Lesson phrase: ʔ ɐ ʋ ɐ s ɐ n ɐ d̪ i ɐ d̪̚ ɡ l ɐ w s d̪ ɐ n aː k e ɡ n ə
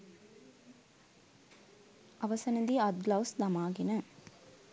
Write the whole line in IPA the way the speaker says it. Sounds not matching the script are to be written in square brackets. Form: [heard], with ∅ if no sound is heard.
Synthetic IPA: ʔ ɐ ʋ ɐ s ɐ n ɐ d̪ i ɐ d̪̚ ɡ l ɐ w s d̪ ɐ [m] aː [ɡ] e [∅] n ə

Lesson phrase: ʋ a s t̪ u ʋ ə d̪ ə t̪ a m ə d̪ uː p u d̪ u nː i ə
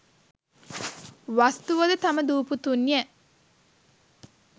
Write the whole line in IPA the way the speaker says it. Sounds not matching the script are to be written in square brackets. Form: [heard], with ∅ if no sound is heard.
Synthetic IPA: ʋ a s t̪ u ʋ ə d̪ ə t̪ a m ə d̪ uː p u [t̪] u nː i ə

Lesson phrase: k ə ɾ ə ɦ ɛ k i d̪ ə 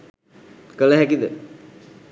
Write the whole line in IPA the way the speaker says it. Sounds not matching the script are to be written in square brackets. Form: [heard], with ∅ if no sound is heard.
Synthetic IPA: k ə [l] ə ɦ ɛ k i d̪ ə

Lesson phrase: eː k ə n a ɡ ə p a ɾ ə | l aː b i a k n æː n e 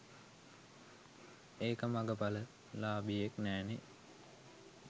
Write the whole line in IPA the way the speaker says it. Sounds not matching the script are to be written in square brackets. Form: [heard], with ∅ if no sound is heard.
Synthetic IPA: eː k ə [m] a ɡ ə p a [l] ə | l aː b i [e] k n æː n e

